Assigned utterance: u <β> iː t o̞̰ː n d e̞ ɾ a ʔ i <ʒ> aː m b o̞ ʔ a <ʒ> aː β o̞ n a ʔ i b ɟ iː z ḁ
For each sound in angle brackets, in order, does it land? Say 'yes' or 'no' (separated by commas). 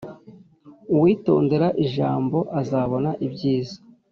no, yes, no